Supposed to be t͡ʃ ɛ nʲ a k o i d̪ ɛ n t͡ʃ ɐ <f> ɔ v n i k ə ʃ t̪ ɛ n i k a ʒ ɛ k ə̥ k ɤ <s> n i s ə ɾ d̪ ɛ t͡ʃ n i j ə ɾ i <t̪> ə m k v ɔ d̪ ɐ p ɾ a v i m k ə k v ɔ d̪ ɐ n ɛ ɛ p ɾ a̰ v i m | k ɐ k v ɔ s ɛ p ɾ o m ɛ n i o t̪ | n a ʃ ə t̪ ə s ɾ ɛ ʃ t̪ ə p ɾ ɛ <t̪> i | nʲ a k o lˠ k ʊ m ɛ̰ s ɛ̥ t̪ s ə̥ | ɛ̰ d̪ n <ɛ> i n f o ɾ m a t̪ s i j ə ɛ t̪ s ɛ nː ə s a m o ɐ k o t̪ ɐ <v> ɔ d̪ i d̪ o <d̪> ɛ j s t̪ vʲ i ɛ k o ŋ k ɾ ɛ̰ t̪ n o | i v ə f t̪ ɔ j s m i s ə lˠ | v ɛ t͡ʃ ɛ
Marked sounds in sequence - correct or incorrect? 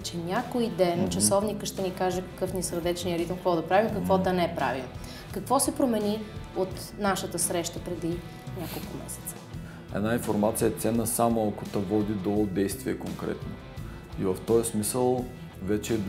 incorrect, incorrect, correct, incorrect, incorrect, correct, correct

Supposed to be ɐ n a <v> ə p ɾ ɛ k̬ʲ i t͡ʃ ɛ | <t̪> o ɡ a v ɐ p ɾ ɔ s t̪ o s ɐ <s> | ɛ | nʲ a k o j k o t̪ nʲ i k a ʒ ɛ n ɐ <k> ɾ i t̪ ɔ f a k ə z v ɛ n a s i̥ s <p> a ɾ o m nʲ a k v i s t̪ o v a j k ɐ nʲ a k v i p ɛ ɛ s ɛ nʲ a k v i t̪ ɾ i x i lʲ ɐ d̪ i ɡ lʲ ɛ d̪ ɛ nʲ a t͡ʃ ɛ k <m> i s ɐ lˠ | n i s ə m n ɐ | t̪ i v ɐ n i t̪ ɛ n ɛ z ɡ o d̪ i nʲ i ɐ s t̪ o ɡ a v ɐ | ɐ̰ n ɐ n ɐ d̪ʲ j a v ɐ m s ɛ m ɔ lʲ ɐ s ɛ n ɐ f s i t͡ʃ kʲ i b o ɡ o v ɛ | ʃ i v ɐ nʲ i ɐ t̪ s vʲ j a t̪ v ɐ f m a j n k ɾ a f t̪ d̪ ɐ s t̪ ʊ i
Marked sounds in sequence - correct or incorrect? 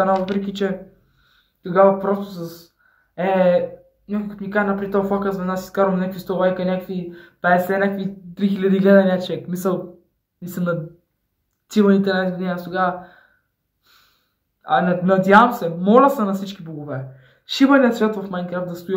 correct, correct, correct, incorrect, incorrect, correct

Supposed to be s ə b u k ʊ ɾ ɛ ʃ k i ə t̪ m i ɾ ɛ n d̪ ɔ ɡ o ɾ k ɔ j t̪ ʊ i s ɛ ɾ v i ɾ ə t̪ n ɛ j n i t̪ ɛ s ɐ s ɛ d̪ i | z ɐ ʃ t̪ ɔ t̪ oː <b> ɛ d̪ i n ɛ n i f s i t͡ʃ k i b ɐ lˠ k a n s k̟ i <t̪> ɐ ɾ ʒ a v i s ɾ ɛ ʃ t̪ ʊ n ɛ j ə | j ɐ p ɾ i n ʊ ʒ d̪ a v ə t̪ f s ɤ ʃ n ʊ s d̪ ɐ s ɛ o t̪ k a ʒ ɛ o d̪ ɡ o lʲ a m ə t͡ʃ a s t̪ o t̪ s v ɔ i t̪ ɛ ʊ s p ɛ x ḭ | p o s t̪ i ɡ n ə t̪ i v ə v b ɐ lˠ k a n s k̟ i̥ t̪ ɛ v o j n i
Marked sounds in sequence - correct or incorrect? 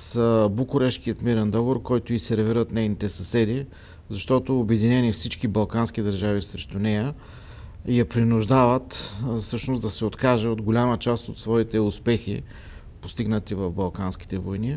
correct, incorrect

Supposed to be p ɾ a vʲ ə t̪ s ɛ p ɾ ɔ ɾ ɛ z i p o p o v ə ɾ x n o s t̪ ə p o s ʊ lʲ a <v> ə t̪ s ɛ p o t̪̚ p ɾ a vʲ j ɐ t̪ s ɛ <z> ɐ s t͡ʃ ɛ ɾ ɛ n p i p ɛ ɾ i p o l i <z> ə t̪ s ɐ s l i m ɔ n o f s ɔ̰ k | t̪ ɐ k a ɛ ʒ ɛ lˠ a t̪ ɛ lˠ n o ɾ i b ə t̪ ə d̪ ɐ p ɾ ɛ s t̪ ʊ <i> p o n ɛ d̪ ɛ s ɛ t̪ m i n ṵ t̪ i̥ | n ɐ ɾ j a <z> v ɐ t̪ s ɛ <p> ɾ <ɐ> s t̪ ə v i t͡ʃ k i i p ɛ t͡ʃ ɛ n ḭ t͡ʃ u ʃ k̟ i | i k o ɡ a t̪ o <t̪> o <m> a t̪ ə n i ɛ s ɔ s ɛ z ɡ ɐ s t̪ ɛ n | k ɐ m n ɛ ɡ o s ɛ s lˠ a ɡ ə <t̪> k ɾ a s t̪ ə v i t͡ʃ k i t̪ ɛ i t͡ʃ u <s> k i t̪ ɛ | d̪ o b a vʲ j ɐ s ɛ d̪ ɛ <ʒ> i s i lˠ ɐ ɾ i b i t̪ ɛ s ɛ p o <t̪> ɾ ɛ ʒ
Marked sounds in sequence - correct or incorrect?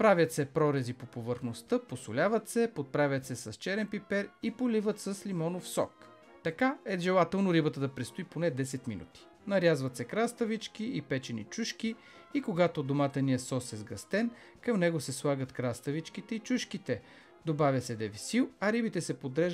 correct, incorrect, incorrect, correct, correct, incorrect, incorrect, incorrect, correct, correct, incorrect, incorrect, incorrect

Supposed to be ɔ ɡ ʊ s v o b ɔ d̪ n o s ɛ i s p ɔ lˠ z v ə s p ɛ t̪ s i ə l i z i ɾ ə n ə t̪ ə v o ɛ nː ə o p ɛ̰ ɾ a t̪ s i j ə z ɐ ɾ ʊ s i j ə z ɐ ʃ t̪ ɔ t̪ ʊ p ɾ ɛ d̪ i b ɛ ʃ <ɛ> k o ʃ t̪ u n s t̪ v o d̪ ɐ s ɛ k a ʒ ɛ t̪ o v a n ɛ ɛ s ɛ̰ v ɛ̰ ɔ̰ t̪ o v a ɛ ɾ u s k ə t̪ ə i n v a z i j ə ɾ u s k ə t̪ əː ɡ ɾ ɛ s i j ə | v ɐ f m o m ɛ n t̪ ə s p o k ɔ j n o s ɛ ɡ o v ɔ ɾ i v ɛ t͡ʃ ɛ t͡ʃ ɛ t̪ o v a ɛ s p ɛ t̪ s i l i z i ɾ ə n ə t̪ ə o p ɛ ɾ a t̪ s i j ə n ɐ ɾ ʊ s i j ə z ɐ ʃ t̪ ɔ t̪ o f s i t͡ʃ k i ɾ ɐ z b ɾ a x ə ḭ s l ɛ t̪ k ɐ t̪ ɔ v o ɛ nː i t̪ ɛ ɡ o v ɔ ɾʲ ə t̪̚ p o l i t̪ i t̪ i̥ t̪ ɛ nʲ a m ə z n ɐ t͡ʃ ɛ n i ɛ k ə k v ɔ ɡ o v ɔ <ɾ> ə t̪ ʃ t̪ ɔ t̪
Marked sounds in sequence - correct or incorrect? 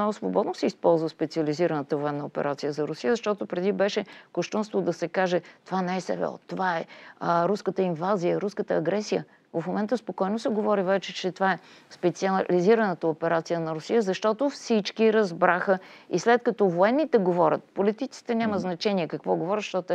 correct, correct

